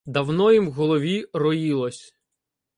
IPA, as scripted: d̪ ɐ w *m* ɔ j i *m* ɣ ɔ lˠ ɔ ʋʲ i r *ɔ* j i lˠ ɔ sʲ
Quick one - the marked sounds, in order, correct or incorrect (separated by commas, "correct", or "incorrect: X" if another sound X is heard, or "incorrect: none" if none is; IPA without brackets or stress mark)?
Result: incorrect: n, correct, correct